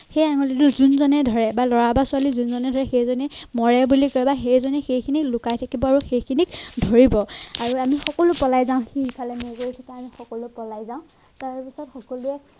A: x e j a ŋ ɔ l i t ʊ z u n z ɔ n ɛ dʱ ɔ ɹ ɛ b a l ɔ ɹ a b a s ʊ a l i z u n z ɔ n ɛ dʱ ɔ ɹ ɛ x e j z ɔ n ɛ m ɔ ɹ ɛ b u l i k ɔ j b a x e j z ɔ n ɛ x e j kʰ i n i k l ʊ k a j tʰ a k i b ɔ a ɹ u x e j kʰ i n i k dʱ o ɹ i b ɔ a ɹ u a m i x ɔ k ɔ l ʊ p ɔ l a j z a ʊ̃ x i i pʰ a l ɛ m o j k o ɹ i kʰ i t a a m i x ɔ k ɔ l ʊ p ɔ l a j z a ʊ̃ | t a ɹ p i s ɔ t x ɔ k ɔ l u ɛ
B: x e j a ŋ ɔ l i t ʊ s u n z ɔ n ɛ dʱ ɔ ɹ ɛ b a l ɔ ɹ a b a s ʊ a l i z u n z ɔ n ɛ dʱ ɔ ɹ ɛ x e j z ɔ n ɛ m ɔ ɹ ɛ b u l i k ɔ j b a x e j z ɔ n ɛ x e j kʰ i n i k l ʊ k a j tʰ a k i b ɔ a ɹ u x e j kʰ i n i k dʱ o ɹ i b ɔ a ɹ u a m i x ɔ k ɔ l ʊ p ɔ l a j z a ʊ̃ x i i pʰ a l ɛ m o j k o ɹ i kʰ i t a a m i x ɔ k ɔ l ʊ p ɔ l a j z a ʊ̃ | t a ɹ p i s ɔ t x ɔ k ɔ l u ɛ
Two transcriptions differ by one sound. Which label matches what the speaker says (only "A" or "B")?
A